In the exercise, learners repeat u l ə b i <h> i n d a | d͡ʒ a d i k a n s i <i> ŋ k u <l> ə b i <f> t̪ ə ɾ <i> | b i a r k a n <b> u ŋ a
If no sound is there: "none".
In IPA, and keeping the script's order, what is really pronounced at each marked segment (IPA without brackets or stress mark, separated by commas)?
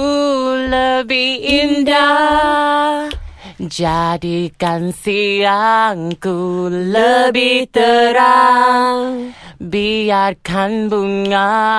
h, a, l, h, a, b